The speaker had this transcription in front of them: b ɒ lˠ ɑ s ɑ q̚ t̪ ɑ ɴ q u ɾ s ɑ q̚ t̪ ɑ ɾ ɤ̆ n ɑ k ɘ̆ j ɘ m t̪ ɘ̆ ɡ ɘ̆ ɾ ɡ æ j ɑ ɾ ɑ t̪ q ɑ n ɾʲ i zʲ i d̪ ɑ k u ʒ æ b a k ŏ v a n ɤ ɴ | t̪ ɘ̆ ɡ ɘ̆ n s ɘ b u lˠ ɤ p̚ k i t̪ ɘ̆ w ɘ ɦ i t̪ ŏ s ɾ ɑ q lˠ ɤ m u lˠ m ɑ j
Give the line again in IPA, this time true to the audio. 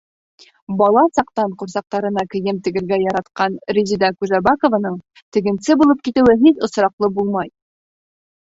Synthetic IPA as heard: b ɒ lˠ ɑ s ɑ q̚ t̪ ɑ ɴ q u ɾ s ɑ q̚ t̪ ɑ ɾ ɤ̆ n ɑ k ɘ̆ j ɘ m t̪ ɘ̆ ɡ ɘ̆ ɾ ɡ æ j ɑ ɾ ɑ t̪ q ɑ n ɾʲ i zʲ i d̪ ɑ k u ʒ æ b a k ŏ v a n ɤ ɴ | t̪ ɘ̆ ɡ ɘ̆ n s ɘ b u lˠ ɤ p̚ k i t̪ ɘ̆ w ɘ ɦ i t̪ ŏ s ɾ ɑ q lˠ ɤ b u lˠ m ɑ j